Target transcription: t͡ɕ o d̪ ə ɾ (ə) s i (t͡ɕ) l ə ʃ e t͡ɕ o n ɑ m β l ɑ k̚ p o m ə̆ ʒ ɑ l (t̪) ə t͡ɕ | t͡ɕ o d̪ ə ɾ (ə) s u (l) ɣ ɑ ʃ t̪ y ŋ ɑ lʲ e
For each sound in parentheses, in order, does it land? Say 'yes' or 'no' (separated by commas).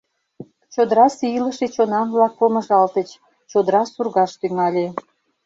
no, no, yes, no, no